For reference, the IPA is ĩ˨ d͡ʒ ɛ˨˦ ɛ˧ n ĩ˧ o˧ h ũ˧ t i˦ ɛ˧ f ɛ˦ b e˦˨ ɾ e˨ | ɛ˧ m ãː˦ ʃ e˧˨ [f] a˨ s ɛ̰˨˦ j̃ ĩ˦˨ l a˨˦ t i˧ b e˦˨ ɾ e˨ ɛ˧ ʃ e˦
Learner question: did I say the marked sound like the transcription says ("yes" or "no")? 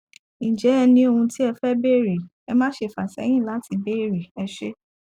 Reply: yes